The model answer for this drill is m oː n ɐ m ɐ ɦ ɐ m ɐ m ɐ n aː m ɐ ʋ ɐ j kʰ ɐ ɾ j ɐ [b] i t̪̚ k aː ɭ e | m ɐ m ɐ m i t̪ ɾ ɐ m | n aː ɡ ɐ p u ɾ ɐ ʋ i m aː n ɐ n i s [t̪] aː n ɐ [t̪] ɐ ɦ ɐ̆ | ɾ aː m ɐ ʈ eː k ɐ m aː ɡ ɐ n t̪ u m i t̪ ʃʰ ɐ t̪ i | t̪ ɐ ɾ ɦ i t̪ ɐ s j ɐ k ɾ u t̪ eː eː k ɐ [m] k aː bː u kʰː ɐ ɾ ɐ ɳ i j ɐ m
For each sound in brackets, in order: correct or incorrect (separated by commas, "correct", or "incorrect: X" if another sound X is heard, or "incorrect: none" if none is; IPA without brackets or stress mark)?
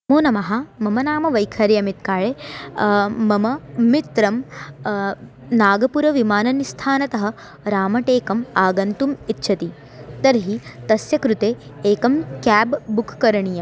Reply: incorrect: m, incorrect: t̪ʰ, correct, correct